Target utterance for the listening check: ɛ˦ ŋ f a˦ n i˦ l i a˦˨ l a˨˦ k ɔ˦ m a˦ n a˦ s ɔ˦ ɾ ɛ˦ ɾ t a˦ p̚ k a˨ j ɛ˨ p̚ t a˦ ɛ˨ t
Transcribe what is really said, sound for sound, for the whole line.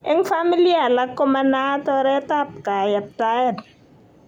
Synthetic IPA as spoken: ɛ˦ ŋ f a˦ m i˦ l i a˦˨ l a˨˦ k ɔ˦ m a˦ n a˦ t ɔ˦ ɾ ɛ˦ t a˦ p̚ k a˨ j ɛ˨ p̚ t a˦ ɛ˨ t